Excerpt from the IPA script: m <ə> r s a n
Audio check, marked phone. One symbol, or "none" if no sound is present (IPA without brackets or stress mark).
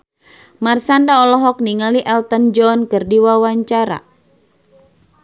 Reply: a